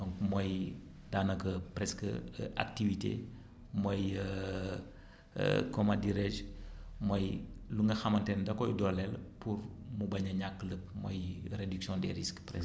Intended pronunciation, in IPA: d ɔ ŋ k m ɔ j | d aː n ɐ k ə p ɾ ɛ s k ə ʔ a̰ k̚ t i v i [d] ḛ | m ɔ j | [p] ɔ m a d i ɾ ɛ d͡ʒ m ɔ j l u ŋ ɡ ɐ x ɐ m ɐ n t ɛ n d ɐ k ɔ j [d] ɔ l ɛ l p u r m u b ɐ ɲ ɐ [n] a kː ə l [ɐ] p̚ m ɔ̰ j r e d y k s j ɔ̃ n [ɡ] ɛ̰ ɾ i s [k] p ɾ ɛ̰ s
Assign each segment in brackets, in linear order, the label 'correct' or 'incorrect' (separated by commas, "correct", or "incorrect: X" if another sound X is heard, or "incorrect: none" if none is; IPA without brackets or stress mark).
incorrect: t, incorrect: k, correct, incorrect: ɲ, incorrect: ə, incorrect: d, correct